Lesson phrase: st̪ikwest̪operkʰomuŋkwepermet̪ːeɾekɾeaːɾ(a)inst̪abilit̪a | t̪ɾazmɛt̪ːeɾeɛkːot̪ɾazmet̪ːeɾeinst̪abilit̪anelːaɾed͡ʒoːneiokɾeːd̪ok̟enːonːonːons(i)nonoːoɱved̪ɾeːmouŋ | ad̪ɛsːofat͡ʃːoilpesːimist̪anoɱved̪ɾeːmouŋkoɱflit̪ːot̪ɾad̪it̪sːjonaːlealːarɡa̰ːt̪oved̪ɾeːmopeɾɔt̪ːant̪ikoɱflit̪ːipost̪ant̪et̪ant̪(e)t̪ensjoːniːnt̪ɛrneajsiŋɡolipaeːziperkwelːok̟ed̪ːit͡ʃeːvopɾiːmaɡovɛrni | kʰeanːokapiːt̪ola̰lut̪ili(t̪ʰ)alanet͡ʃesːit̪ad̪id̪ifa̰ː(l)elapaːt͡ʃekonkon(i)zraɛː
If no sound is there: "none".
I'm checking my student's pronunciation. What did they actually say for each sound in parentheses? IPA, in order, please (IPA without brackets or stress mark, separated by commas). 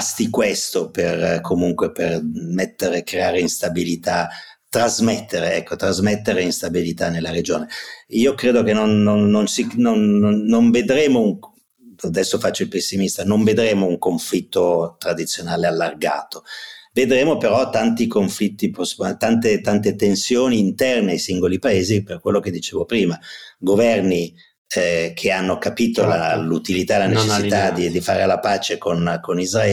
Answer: e, i, e, t̪, ɾ, i